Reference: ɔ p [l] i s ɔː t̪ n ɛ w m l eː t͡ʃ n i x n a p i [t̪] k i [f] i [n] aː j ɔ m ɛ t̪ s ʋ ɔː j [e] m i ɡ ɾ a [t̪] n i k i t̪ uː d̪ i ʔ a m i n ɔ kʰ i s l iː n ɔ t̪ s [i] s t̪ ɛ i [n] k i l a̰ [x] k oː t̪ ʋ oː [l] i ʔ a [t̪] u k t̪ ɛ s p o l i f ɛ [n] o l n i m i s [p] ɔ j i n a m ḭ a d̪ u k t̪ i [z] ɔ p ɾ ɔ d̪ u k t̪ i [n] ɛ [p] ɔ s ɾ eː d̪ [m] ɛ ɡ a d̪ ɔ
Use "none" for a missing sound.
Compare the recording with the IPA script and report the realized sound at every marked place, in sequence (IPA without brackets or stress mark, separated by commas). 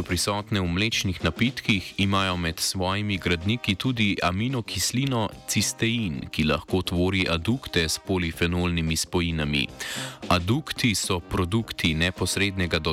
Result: ɾ, t̪, x, m, i, d̪, i, n, x, ɾ, d̪, n, p, s, n, p, n